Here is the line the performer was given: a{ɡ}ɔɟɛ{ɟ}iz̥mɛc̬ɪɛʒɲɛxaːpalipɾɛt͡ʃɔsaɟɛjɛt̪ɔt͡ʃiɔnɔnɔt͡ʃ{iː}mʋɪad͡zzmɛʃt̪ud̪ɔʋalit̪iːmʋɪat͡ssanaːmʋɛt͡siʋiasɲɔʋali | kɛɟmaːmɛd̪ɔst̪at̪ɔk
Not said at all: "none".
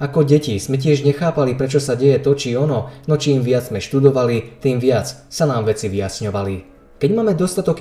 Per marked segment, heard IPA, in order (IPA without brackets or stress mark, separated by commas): k, c, iː